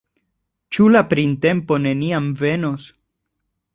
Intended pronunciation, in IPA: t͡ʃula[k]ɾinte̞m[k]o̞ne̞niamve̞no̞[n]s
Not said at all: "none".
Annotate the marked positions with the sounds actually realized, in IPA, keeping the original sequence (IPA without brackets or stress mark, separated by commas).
p, p, none